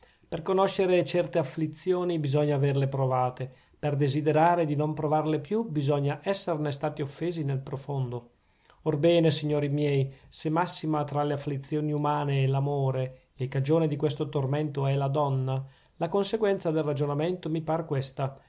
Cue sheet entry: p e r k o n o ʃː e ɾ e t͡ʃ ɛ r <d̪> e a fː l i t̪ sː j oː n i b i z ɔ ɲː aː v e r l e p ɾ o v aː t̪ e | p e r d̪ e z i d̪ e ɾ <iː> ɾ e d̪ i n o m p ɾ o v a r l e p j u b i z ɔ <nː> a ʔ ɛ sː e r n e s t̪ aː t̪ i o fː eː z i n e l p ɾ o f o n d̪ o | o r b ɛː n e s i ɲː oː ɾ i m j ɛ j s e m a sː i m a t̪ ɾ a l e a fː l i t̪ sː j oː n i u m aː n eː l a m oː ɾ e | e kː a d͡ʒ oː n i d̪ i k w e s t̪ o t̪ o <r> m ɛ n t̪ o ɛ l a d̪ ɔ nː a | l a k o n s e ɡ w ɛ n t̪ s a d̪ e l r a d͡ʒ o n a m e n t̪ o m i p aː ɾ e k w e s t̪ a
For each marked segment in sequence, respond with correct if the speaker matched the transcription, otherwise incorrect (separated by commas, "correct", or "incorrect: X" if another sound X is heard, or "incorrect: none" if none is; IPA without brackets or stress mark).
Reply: incorrect: t̪, incorrect: aː, incorrect: ɲː, correct